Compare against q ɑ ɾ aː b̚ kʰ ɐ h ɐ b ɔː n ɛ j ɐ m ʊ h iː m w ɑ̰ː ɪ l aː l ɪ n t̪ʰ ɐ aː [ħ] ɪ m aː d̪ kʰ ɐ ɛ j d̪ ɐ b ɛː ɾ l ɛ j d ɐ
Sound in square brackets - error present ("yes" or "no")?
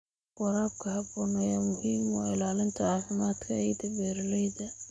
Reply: yes